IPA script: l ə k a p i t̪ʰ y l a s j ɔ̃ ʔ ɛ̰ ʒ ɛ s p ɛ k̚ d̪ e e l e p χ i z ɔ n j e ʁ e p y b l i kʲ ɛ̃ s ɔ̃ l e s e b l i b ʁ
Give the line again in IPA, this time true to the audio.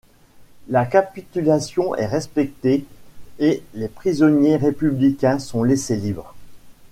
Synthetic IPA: l a k a p i t̪ y l a s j ɔ̃ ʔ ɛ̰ ʁ ɛ s p ɛ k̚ t̪ e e l e p χ i z ɔ n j e ʁ e p y b l i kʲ ɛ̃ s ɔ̃ l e s e l i b ʁ

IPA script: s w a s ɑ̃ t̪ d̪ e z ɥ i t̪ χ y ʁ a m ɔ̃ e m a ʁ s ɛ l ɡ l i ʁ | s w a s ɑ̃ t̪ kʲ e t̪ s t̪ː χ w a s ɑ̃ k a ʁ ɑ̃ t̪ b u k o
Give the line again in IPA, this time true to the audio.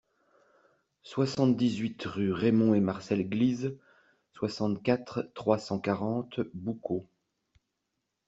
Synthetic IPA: s w a s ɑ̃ t̪ d̪ i z ɥ i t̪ ʁ y ʁ e m ɔ̃ e m a ʁ s ɛ l ɡ l i z | s w a s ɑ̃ t̪ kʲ a t̪ χ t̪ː χ w a s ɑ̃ k a ʁ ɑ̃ t̪ b u k o

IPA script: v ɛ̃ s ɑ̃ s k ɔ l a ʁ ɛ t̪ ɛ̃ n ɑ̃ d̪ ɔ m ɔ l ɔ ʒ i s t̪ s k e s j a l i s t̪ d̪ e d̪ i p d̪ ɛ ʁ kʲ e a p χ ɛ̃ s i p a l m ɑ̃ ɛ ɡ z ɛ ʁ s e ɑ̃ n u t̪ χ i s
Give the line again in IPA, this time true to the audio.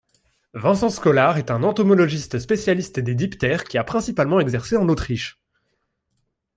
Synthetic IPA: v ɛ̃ s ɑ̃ s k ɔ l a ʁ ɛ t̪ ɛ̃ n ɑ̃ t̪ ɔ m ɔ l ɔ ʒ i s t̪ s p e s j a l i s t̪ d̪ e d̪ i p t̪ ɛ ʁ kʲ i a p χ ɛ̃ s i p a l m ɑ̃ ɛ ɡ z ɛ ʁ s e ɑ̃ n o t̪ χ i ʃ

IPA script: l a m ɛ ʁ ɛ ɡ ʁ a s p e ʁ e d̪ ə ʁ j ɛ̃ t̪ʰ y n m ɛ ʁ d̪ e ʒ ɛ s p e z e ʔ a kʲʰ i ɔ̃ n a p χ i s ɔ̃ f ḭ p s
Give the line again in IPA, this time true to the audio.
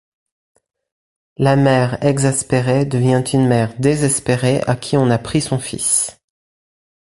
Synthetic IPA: l a m ɛ ʁ ɛ ɡ z a s p e ʁ e d̪ ə v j ɛ̃ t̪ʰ y n m ɛ ʁ d̪ e z ɛ s p e ʁ e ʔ a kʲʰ i ɔ̃ n a p χ i s ɔ̃ f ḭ s

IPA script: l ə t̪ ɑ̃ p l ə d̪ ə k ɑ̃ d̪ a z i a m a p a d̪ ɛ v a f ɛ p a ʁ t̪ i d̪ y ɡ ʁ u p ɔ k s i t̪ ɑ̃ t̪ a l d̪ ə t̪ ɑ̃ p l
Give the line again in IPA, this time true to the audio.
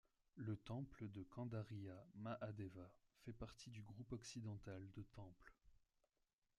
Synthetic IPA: l ə t̪ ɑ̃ p l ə d̪ ə k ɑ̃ d̪ a ʁ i a m a ʔ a d̪ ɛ v a f ɛ p a ʁ t̪ i d̪ y ɡ ʁ u p ɔ k s i d̪ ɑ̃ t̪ a l d̪ ə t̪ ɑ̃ p l

